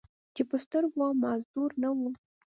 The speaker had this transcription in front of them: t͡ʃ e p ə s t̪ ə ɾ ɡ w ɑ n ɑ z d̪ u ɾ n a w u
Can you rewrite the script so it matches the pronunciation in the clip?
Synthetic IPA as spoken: t͡ʃ e p ə s t̪ ə ɾ ɡ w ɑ m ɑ z d̪ u ɾ n a w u